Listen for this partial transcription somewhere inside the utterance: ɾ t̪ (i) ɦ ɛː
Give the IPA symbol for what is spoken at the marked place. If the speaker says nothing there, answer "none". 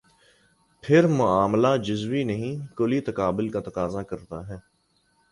a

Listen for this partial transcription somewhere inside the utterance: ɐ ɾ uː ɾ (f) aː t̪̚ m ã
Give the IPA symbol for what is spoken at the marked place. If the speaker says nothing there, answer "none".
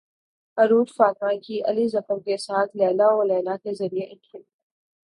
f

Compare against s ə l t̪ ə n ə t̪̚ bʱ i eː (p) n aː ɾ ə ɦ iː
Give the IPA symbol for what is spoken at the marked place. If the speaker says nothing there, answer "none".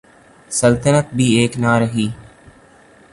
k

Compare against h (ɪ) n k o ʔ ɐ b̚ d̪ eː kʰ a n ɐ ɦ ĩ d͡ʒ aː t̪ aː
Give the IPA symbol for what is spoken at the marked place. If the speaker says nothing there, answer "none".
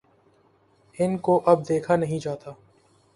ɪ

